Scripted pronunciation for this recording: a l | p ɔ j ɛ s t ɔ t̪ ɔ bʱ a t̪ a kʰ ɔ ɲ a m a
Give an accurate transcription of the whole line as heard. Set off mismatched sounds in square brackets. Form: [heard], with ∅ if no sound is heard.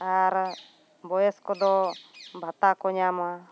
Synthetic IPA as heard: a [ɾ] | [b] ɔ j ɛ s [k] ɔ [d̪] ɔ bʱ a t̪ a [k] ɔ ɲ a m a